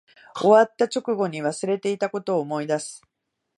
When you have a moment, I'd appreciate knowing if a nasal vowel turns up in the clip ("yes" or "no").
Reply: no